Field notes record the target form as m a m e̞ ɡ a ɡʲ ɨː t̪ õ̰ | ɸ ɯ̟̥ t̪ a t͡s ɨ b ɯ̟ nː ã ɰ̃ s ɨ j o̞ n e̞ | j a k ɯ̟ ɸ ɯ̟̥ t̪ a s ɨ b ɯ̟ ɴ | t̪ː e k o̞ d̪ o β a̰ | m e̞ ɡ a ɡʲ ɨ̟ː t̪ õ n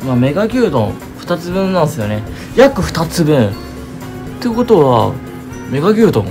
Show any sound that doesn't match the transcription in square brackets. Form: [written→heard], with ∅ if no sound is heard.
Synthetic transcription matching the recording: m a m e̞ ɡ a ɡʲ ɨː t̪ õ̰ | ɸ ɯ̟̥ t̪ a t͡s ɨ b [ɯ̟→ɯ̟̃] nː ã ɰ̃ s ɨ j o̞ n e̞ | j a k ɯ̟ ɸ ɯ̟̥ t̪ a [s→t͡s] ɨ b [ɯ̟→ɯ̟̃] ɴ | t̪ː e k o̞ [d̪→t̪] o β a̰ | m e̞ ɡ a ɡʲ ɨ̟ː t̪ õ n